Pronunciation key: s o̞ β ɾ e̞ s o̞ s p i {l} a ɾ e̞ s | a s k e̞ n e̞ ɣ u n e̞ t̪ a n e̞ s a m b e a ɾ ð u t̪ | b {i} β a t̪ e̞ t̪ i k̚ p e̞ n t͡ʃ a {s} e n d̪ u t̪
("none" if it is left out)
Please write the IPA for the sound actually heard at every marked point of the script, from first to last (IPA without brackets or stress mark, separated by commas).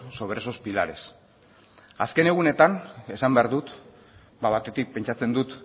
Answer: l, a, t͡s